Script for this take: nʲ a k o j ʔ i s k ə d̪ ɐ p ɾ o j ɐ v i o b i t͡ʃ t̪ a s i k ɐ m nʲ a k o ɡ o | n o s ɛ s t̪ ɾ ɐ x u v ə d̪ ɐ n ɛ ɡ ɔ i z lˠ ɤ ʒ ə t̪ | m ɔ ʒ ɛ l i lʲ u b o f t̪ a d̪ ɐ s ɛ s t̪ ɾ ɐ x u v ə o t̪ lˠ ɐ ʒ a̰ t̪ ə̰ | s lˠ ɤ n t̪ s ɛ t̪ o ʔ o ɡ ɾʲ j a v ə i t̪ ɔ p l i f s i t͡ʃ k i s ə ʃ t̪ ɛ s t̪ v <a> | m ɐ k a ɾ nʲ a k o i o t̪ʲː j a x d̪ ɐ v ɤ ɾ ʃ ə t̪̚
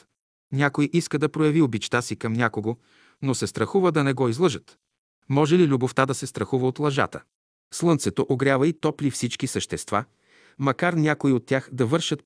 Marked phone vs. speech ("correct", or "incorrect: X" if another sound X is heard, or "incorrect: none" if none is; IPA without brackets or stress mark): correct